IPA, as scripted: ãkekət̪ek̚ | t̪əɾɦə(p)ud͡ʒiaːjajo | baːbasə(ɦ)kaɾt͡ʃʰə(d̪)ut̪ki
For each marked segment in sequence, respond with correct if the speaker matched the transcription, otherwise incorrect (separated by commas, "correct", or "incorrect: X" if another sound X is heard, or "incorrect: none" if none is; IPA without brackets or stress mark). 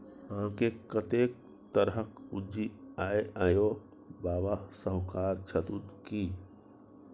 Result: incorrect: k, correct, incorrect: t̪